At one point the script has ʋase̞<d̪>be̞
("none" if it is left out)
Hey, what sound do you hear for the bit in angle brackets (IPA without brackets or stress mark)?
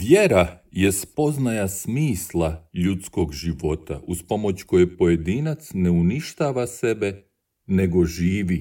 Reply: none